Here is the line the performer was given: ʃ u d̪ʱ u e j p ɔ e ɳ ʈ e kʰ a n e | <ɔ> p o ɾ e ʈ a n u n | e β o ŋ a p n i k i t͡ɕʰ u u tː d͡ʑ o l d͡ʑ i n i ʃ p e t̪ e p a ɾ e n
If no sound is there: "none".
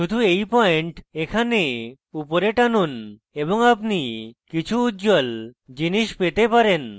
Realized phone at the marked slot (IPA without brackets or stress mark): u